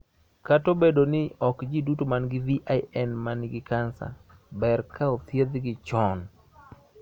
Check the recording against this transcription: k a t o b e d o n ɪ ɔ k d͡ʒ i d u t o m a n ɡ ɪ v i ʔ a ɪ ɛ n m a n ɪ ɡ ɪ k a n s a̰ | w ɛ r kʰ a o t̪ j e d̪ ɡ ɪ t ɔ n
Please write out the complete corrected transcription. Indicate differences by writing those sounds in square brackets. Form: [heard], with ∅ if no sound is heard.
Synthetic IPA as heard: k a t o b e d o n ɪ ɔ k d͡ʒ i d u t o m a n ɡ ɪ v i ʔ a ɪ ɛ n m a n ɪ ɡ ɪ k a n s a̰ | [b] ɛ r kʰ a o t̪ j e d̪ ɡ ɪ [t͡ʃ] ɔ n